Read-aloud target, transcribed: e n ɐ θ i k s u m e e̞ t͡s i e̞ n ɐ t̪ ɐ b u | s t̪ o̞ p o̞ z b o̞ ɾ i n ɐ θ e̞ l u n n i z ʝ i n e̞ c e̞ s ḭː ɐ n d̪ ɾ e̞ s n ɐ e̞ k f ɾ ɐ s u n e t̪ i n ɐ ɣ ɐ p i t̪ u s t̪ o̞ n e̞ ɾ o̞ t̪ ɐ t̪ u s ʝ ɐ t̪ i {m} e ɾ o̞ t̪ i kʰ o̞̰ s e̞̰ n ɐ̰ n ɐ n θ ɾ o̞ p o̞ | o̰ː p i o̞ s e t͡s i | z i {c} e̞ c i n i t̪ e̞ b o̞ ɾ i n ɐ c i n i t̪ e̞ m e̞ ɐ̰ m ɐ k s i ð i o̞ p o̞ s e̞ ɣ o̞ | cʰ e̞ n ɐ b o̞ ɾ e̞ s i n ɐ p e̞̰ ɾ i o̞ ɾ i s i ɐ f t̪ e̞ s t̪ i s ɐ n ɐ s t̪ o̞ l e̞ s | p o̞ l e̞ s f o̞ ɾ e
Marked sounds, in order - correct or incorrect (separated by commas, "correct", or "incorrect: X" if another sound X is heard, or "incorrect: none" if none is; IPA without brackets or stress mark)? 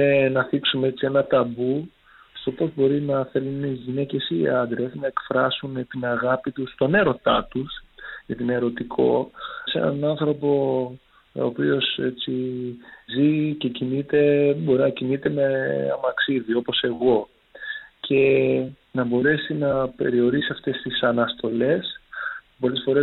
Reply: incorrect: n, correct